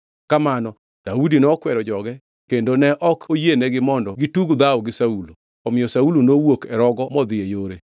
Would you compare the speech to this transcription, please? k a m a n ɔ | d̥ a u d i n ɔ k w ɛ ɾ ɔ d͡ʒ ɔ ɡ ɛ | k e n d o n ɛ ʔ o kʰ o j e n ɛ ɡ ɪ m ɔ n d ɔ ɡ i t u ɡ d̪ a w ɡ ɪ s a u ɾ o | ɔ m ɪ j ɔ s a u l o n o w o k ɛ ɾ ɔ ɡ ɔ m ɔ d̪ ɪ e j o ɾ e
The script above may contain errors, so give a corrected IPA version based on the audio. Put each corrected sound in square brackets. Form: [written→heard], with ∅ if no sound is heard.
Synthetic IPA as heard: k a m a n ɔ | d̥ a u d i n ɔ k w ɛ ɾ ɔ d͡ʒ ɔ ɡ ɛ | k e n d o n ɛ ʔ [o→ɔ] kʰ o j e n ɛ ɡ ɪ m ɔ n d ɔ ɡ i t u ɡ d̪ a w ɡ ɪ s a u [ɾ→l] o | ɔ m ɪ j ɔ s a u l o n o w o k ɛ ɾ ɔ ɡ ɔ m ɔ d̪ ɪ e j o ɾ e